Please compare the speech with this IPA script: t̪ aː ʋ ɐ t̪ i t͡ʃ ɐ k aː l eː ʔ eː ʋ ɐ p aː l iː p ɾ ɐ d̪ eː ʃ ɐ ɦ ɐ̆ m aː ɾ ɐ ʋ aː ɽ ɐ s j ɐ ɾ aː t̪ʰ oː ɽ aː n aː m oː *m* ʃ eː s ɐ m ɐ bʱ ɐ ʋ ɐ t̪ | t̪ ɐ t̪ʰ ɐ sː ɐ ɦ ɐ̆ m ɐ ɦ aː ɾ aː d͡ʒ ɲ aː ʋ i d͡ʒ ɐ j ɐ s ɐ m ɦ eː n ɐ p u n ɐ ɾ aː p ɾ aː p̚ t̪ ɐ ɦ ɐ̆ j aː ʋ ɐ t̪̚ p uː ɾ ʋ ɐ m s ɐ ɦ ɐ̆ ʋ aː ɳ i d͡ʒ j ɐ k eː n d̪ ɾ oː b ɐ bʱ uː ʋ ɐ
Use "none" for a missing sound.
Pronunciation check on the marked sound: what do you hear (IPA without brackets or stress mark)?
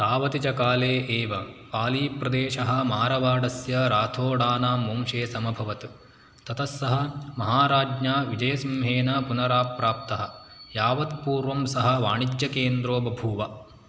m